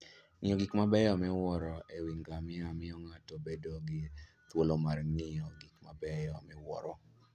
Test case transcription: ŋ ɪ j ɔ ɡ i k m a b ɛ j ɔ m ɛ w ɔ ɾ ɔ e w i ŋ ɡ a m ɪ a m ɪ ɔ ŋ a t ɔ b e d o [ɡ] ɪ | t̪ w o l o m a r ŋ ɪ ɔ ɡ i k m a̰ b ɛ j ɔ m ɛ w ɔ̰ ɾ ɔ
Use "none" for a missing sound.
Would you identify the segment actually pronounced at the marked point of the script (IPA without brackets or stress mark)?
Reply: ɡ